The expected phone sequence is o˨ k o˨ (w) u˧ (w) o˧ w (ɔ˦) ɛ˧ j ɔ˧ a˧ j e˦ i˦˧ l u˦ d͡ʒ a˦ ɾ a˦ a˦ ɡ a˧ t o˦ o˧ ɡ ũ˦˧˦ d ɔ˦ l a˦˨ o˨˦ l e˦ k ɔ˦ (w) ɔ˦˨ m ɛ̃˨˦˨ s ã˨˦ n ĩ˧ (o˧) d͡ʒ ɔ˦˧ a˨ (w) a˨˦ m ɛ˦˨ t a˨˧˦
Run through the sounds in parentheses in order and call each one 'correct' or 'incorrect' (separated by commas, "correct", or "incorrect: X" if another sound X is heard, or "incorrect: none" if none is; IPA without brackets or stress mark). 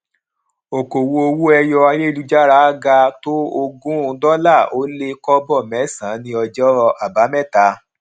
correct, incorrect: none, incorrect: u˦, incorrect: b, incorrect: ɔ˧, incorrect: b